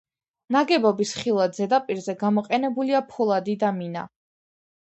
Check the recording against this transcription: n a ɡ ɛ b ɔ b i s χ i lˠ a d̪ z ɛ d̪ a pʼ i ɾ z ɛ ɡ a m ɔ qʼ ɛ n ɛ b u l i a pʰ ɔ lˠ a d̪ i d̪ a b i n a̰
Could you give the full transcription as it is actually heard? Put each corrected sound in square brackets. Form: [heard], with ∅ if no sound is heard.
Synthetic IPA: n a ɡ ɛ b ɔ b i s χ i lˠ a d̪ z ɛ d̪ a pʼ i ɾ z ɛ ɡ a m ɔ qʼ ɛ n ɛ b u l i a pʰ ɔ lˠ a d̪ i d̪ a [m] i n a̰